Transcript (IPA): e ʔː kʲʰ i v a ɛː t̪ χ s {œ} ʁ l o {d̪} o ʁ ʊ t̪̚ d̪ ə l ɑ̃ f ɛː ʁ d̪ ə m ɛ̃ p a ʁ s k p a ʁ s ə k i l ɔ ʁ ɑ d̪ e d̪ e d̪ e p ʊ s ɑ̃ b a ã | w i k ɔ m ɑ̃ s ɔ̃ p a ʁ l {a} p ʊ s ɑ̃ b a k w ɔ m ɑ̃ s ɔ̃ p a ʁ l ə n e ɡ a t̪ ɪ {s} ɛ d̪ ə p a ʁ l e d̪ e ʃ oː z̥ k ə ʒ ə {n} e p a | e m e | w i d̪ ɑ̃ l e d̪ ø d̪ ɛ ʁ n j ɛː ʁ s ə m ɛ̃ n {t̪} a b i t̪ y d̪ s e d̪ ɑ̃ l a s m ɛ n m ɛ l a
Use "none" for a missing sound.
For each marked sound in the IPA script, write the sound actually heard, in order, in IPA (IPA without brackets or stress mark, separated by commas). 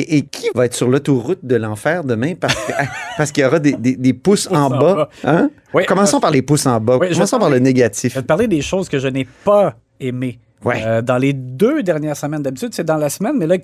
y, t̪, e, f, n, d̪